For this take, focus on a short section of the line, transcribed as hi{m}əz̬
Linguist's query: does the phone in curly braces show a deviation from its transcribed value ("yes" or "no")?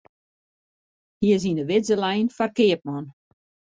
yes